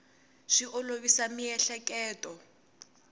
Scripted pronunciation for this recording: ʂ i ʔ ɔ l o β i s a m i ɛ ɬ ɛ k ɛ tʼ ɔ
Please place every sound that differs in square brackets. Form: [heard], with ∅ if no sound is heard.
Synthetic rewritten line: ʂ i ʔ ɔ l o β i s a m i ɛ ɬ ɛ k [ɛː] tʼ ɔ